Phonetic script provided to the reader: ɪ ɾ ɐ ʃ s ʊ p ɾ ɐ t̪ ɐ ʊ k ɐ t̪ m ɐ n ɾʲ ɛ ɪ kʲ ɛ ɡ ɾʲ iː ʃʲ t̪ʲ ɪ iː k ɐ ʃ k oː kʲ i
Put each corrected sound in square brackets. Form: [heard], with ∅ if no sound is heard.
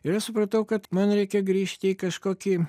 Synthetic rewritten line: ɪ ɾ ɐ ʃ s ʊ p ɾ ɐ t̪ ɐ ʊ k ɐ t̪ m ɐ n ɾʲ ɛ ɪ kʲ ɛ ɡ ɾʲ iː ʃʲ t̪ʲ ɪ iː k ɐ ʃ k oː kʲ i